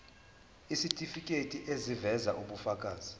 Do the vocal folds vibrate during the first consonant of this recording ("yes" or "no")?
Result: no